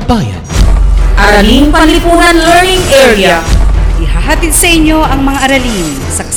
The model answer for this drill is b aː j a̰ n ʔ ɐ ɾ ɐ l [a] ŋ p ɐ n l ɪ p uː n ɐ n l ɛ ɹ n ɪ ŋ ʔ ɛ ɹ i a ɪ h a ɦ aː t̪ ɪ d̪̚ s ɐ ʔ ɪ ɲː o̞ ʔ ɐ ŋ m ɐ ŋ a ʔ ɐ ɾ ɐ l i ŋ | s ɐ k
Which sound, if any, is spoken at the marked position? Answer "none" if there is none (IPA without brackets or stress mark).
i